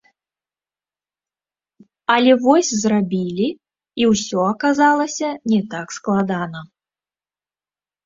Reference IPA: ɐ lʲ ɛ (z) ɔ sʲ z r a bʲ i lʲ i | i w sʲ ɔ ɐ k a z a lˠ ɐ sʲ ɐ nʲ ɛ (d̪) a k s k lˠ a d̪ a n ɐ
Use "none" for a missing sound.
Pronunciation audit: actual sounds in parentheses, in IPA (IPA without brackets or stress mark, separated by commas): v, t̪